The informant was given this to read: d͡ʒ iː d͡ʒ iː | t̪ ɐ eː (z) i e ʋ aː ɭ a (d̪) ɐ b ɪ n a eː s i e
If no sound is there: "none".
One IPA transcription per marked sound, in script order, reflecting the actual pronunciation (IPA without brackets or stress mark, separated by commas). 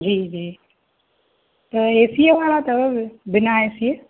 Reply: s, t̪